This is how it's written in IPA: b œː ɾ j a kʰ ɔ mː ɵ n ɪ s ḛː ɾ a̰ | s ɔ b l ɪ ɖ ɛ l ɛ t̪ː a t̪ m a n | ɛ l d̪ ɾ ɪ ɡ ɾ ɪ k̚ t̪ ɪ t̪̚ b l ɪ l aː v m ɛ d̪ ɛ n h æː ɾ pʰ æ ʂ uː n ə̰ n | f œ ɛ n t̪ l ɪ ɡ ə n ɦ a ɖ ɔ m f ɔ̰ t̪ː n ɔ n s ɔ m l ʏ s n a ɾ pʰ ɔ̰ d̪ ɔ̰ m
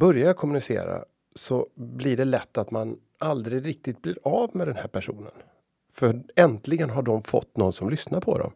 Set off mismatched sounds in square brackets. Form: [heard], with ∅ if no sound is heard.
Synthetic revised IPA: b [œ] ɾ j a kʰ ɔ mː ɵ n ɪ s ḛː ɾ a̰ | s ɔ b l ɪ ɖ ɛ l ɛ t̪ː a t̪ m a n | [a] l d̪ ɾ ɪ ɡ ɾ ɪ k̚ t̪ ɪ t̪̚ b l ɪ [ɾ] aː v m ɛ d̪ ɛ n h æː ɾ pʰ æ ʂ uː n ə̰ n | f œ ɛ n t̪ l ɪ ɡ ə n ɦ a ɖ ɔ m f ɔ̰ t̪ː n ɔ n s ɔ m l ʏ s n a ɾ pʰ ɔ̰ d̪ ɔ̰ m